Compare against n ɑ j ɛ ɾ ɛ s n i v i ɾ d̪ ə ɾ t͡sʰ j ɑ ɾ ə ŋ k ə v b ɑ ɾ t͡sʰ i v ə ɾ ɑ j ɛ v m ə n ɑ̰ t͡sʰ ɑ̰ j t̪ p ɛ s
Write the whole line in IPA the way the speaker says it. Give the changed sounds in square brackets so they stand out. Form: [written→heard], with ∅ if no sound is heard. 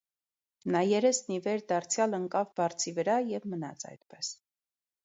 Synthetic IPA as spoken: n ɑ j ɛ ɾ ɛ s n i v [i→ɛ] ɾ d̪ [ə→ɑ] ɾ t͡sʰ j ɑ [ɾ→l] ə ŋ k [ə→ɑ] v b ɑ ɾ t͡sʰ i v ə ɾ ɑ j ɛ v m ə n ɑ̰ t͡sʰ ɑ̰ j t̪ p ɛ s